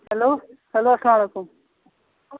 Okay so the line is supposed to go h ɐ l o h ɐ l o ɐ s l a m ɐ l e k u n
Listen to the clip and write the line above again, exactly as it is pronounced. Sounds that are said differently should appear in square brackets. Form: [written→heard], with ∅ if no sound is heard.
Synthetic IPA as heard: h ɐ l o h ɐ l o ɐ s l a m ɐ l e k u [n→m]